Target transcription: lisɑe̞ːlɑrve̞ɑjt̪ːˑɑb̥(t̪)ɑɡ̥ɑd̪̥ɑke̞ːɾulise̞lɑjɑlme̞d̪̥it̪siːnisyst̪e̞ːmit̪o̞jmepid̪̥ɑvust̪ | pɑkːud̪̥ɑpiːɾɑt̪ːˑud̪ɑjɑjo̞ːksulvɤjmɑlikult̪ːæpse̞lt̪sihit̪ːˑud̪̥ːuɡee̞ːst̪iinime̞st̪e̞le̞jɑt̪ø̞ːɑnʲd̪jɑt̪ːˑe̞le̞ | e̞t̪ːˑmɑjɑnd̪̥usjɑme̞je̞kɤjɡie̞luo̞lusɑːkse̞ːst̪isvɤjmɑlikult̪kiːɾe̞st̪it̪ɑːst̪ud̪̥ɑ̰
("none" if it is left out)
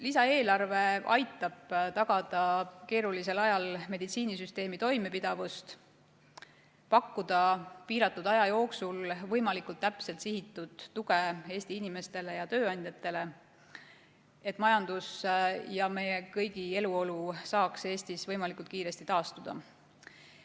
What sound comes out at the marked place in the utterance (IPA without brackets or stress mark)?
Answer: t̪